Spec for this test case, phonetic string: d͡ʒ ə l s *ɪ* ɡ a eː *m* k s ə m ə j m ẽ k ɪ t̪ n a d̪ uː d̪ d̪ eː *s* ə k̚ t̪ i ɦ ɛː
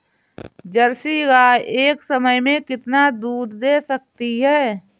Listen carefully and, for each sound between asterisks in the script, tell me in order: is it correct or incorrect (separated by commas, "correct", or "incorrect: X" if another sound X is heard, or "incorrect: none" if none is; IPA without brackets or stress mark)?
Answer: incorrect: i, incorrect: none, correct